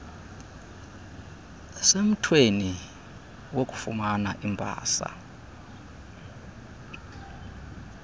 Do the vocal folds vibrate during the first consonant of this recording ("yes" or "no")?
no